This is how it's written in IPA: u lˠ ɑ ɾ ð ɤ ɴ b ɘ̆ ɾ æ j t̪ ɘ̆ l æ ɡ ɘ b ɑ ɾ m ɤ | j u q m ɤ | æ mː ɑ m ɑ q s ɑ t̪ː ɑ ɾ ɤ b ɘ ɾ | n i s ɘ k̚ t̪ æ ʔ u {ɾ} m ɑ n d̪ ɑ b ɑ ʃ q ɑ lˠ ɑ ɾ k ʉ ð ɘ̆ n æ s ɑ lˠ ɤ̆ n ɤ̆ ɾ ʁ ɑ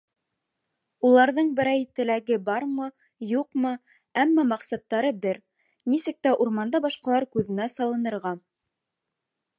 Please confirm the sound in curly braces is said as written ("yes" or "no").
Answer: yes